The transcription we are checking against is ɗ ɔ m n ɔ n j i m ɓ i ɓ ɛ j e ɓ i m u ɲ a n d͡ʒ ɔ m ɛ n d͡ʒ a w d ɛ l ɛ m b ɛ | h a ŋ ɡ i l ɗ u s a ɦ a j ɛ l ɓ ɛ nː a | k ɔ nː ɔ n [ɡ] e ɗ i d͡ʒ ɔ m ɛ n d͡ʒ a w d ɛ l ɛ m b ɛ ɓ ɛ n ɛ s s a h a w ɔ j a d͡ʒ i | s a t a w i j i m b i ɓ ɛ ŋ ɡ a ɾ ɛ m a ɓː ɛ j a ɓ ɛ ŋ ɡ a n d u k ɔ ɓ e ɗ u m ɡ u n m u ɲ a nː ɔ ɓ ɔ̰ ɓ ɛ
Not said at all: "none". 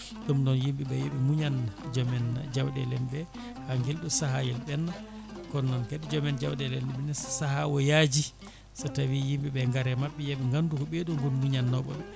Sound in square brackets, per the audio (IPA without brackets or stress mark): k